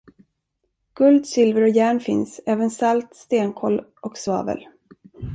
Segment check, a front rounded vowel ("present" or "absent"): absent